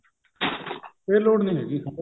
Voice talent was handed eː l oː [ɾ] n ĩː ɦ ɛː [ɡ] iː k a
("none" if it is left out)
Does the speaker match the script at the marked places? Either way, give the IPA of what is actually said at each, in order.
ɽ, ɡ

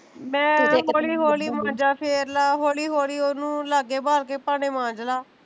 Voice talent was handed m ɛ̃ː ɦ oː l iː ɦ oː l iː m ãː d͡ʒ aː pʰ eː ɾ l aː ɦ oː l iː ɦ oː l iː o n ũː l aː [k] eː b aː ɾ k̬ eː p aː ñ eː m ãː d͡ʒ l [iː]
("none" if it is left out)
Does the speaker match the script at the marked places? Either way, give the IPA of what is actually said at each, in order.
ɡ, aː

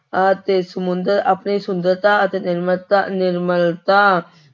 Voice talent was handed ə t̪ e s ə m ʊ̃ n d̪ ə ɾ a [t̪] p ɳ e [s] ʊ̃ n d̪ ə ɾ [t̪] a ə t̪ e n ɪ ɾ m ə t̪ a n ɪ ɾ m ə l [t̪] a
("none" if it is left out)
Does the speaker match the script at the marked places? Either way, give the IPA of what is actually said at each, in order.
none, s, t̪, t̪

